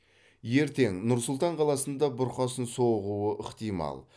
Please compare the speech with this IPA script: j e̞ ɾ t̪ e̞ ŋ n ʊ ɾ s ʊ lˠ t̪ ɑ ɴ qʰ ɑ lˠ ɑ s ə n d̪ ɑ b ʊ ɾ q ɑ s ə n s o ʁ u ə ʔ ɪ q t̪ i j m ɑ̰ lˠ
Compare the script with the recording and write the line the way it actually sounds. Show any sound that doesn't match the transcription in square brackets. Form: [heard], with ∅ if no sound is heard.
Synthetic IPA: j e̞ ɾ t̪ e̞ ŋ n ʊ ɾ s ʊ lˠ t̪ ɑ ɴ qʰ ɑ lˠ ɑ s ə n d̪ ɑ b ʊ ɾ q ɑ s ə n s o ʁ u ə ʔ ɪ q t̪ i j m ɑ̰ lˠ